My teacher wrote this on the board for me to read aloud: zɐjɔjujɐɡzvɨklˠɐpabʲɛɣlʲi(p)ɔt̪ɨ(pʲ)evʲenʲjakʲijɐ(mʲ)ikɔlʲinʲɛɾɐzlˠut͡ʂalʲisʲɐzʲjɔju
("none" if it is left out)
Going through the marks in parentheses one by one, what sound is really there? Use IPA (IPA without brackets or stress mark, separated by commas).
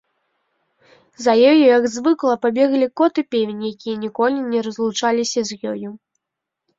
k, pʲ, nʲ